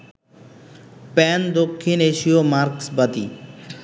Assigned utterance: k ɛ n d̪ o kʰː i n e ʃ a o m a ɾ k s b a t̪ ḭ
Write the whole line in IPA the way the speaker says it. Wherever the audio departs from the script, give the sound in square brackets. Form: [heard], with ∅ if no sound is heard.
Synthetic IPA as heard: [p] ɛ n d̪ o kʰː i n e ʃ [i] o m a ɾ k s b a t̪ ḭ